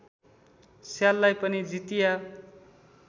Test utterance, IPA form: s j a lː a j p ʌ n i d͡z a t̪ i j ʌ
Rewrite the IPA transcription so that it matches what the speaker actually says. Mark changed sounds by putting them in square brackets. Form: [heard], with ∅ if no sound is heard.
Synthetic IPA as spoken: s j a lː a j p ʌ n i d͡z [i] t̪ i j [a]

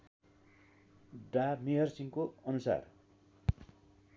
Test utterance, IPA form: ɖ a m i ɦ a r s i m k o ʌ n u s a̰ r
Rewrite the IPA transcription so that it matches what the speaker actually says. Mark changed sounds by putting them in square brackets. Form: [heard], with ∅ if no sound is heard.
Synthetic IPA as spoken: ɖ a m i ɦ [ʌ] r s i [ŋ] k o ʌ n u s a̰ r

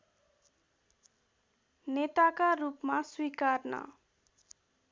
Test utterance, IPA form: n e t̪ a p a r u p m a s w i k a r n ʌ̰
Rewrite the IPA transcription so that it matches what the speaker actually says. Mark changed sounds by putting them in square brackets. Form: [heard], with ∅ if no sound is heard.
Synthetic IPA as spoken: n e t̪ a [k] a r u p m a s w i k a r n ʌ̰

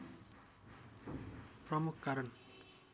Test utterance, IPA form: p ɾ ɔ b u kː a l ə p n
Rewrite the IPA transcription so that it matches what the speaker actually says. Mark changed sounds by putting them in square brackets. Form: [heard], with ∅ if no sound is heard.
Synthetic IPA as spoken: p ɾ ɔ [m] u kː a [ɾ] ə [∅] n

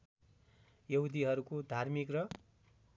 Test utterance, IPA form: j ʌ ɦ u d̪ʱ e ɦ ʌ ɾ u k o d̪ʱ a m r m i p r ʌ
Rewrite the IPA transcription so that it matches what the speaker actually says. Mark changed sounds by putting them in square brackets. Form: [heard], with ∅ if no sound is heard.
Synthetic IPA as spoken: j ʌ ɦ u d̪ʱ [i] ɦ ʌ ɾ u k o d̪ʱ a [∅] r m i [k] r ʌ

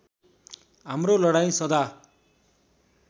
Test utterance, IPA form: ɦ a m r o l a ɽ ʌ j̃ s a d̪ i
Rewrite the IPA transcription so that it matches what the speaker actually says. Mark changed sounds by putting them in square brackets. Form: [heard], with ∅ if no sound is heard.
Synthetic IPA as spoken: ɦ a m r o l [ʌ] ɽ [a] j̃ s [ʌ] d̪ [a]

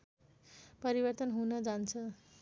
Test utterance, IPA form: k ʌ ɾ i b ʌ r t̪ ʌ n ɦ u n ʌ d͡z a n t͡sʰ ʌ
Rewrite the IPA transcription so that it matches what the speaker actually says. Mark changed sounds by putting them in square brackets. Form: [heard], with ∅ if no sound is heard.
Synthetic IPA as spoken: [p] ʌ ɾ i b ʌ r t̪ ʌ n ɦ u n ʌ d͡z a n t͡sʰ ʌ

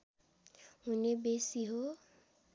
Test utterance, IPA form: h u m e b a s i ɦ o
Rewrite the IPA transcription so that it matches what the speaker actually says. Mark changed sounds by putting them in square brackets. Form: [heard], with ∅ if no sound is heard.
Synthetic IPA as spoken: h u [n] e b [e] s i ɦ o

